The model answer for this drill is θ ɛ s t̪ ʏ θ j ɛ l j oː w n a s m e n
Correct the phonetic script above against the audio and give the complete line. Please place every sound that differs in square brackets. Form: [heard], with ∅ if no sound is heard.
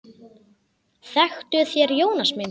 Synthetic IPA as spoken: θ ɛ [x] t̪ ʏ θ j ɛ [ɾ] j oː w n a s m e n